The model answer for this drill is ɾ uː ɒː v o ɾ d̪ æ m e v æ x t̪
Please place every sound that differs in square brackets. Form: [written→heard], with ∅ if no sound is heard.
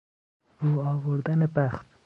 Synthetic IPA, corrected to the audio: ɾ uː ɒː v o ɾ d̪ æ [m→n] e [v→b] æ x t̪